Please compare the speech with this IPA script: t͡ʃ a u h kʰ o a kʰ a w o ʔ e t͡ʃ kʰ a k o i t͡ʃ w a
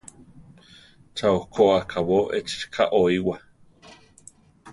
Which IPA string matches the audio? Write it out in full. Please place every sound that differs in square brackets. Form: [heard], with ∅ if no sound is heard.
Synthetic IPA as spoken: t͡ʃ a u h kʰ o a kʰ a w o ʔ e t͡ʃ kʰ a [ʔ] o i [∅] w a